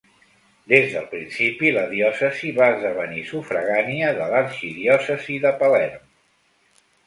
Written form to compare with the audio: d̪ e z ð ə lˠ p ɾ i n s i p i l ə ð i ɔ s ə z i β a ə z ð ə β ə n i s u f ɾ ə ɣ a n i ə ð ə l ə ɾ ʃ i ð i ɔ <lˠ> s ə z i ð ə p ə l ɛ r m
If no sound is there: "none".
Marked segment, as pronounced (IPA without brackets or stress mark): none